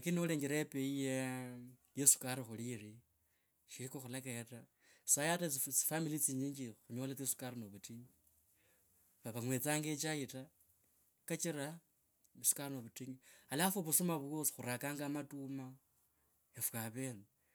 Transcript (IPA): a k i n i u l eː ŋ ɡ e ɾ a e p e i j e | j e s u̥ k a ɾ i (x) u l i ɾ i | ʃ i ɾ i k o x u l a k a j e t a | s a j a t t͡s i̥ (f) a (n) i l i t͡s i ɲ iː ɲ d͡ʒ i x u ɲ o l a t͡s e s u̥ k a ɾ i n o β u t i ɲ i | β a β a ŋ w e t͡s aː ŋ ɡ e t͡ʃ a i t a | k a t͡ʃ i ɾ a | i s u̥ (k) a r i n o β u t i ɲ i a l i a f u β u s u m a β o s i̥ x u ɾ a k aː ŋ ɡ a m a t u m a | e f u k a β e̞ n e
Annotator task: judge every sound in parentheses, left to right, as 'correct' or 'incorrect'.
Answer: correct, correct, incorrect, correct

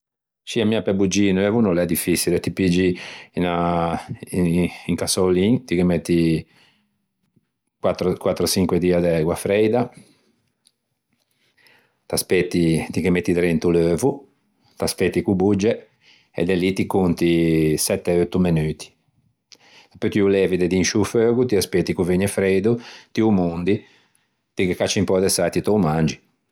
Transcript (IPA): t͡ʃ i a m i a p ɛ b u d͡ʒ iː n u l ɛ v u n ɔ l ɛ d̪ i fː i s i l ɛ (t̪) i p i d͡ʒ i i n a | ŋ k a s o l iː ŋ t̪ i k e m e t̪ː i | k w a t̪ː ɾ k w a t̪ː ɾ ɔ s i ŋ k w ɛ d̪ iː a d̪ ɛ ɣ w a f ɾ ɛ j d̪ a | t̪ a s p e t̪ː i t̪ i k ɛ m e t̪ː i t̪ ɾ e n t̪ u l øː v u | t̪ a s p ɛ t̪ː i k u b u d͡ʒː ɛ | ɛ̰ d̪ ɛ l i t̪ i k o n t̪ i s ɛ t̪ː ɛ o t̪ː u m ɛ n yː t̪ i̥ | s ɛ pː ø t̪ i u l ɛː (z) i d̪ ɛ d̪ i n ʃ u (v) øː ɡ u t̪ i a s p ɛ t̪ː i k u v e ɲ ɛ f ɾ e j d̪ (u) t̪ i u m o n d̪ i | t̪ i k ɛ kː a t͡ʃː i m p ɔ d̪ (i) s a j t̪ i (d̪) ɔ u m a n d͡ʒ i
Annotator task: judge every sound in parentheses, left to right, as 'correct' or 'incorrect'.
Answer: correct, incorrect, incorrect, correct, incorrect, incorrect

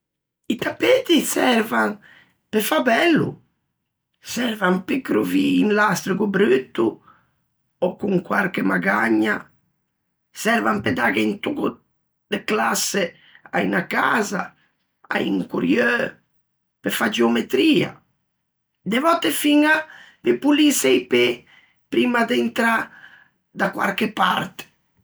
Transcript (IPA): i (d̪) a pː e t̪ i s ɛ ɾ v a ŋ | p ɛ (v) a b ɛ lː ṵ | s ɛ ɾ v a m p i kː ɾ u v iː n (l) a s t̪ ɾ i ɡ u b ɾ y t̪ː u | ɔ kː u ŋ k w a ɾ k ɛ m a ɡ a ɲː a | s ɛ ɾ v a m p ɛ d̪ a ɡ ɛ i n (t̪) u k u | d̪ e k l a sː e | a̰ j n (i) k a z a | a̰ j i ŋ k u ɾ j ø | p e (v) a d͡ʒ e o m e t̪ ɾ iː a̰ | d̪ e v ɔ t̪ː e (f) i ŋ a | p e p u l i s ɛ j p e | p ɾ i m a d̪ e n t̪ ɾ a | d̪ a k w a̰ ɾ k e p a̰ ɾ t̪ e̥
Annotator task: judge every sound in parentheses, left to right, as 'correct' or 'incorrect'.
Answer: incorrect, incorrect, correct, correct, incorrect, incorrect, correct

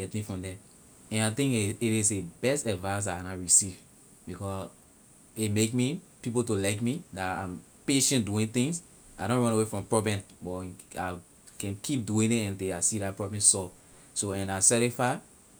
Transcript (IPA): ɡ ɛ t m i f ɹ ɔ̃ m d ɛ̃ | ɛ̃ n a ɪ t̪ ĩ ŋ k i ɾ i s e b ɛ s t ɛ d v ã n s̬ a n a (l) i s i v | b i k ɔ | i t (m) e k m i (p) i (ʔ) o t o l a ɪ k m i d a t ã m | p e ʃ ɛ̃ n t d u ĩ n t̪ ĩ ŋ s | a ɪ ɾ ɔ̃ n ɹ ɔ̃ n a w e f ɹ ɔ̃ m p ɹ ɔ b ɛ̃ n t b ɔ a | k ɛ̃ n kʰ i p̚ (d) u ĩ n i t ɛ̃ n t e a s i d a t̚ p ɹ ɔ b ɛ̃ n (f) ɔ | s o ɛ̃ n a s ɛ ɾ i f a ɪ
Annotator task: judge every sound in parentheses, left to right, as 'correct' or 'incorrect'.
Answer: incorrect, correct, correct, incorrect, correct, incorrect

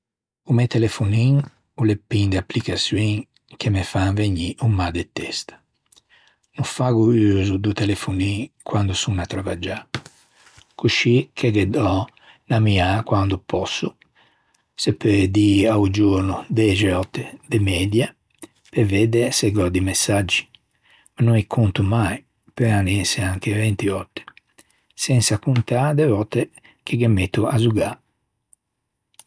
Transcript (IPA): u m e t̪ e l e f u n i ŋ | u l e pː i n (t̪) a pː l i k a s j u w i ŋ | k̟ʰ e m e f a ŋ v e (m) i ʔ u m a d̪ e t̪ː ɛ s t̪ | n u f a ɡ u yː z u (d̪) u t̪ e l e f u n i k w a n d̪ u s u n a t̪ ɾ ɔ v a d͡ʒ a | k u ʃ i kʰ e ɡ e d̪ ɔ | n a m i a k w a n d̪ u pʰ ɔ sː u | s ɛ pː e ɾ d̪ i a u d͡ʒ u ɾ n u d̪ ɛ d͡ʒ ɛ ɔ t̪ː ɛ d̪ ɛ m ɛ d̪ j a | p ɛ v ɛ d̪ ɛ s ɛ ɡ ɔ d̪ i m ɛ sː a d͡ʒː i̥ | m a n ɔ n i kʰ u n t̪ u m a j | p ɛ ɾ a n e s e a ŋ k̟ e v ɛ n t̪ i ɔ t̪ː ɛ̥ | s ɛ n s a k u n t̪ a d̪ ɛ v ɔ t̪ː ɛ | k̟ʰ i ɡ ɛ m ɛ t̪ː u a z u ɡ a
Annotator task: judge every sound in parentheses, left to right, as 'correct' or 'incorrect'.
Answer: incorrect, incorrect, correct

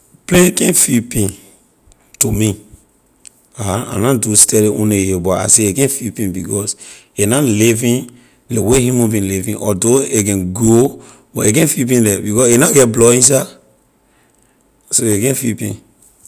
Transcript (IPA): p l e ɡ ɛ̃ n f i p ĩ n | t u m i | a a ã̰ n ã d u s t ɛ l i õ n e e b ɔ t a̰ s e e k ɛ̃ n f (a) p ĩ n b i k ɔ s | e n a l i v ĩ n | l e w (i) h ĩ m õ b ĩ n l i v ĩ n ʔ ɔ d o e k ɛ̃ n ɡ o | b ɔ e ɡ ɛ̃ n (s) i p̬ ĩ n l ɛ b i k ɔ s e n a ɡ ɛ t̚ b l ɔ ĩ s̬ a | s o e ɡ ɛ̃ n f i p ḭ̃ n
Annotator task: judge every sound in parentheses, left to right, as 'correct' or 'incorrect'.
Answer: incorrect, incorrect, incorrect

